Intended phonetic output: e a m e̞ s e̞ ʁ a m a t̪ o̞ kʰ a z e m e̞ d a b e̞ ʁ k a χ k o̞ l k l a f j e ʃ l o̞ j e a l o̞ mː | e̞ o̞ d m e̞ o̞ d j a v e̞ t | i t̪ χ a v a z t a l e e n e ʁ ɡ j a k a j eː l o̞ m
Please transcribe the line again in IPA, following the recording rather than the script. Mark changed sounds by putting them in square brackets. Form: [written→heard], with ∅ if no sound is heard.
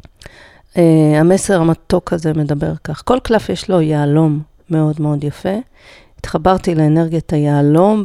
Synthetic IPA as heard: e a m e̞ s e̞ ʁ a m a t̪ o̞ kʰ a z e m e̞ d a b e̞ ʁ k a χ k o̞ l k l a f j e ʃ l o̞ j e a l o̞ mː | e̞ o̞ d m e̞ o̞ d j a [v→f] e̞ [t→∅] | i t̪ χ a [v→b] a [z→ʁ] t [a→i] l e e n e ʁ ɡ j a [k→t] a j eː l o̞ m